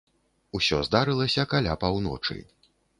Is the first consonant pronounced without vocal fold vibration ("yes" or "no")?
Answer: yes